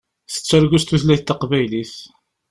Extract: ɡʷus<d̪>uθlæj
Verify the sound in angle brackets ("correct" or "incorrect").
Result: incorrect